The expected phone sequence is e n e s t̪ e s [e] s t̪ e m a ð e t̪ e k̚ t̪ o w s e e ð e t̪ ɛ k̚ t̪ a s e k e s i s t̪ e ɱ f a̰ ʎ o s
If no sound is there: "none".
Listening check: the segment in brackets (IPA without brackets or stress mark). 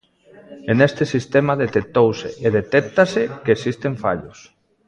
i